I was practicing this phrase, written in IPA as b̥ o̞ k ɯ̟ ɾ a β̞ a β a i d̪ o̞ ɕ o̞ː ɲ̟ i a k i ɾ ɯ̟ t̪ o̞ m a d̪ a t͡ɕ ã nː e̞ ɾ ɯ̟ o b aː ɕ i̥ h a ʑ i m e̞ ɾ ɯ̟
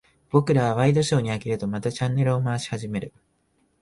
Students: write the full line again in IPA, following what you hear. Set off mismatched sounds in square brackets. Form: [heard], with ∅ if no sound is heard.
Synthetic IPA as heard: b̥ o̞ k ɯ̟ ɾ a β̞ a β a i d̪ o̞ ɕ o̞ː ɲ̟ i a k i ɾ ɯ̟ t̪ o̞ m a [t̪] a t͡ɕ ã nː e̞ ɾ ɯ̟ o [m] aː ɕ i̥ h a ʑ i m e̞ ɾ ɯ̟

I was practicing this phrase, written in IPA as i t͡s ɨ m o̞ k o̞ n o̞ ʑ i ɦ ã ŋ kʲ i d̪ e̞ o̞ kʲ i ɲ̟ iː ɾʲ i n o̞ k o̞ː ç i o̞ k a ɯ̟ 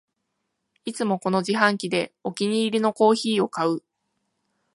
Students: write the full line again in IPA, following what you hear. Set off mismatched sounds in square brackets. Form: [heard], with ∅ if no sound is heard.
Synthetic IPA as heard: i t͡s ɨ m o̞ k o̞ n o̞ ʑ i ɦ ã ŋ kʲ i d̪ e̞ o̞ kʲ i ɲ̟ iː ɾʲ i n o̞ k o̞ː ç [iː] o̞ k a ɯ̟

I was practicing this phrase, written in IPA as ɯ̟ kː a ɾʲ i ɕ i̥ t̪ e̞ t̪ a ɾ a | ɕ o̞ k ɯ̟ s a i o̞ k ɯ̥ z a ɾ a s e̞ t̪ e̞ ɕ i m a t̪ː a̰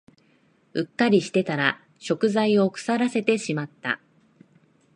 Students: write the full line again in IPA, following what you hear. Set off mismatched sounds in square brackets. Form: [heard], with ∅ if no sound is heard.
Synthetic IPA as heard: ɯ̟ kː a ɾʲ i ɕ i̥ t̪ e̞ t̪ a ɾ a | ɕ o̞ k ɯ̟ [z] a i o̞ k ɯ̥ [s] a ɾ a s e̞ t̪ e̞ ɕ i m a t̪ː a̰

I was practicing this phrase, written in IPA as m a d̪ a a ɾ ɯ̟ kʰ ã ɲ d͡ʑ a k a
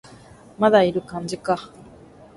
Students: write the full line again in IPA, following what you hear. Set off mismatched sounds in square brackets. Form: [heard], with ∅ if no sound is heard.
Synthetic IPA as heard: m a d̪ a [i] ɾ ɯ̟ [k] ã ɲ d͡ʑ [i] k a

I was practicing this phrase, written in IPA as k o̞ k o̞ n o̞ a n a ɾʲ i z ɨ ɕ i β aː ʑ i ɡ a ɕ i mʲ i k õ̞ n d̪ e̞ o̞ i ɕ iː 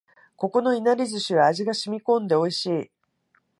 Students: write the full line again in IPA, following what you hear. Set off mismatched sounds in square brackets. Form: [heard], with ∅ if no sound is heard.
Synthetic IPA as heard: k o̞ k o̞ n o̞ [i] n a ɾʲ i z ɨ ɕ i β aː ʑ i ɡ a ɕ i mʲ i k õ̞ n d̪ e̞ o̞ i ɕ iː

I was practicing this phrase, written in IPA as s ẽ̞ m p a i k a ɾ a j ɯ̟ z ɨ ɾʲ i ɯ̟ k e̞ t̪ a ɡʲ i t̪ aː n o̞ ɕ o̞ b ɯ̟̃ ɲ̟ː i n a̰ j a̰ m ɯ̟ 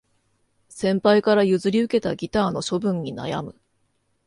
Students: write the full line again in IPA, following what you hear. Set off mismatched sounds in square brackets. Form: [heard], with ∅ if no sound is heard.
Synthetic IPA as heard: s ẽ̞ m p a i k a ɾ a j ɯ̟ z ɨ ɾʲ i ɯ̟ k e̞ t̪ a ɡʲ i t̪ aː n o̞ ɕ o̞ b ɯ̟̃ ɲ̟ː i n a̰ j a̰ m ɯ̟

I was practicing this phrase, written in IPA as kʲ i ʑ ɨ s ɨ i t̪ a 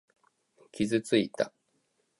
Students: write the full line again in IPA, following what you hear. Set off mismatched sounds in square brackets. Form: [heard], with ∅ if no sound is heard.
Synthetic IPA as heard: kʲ i [z] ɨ [t͡s] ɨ i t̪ a

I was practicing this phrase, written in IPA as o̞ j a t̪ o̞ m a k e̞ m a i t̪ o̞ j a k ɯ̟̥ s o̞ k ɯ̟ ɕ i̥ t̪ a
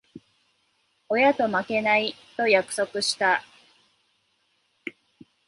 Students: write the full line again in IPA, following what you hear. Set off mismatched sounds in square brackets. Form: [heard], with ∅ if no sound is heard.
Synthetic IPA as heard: o̞ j a t̪ o̞ m a k e̞ [n] a i t̪ o̞ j a k ɯ̟̥ s o̞ k ɯ̟ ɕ i̥ t̪ a

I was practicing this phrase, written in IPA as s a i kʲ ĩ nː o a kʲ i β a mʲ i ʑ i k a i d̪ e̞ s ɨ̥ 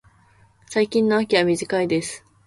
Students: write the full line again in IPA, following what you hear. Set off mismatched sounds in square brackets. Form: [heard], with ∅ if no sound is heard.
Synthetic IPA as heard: s a i kʲ ĩ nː o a kʲ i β a mʲ i ʑ i k a i d̪ e̞ s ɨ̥

